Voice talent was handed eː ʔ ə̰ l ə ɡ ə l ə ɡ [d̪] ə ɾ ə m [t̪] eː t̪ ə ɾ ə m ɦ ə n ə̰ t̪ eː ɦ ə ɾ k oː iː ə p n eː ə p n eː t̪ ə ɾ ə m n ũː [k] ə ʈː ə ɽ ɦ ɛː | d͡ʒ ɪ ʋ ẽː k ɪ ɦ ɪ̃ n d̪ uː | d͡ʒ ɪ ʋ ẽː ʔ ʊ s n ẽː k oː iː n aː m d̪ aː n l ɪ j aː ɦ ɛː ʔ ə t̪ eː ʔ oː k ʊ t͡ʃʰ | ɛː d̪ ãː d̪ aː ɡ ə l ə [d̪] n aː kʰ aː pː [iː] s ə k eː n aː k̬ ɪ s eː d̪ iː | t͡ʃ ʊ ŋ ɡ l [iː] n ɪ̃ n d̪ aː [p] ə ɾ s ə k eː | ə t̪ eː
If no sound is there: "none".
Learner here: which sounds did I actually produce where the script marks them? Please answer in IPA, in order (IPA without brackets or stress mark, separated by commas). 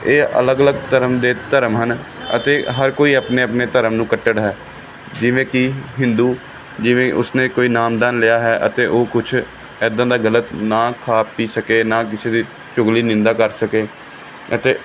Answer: t̪, d̪, k, t̪, iː, iː, k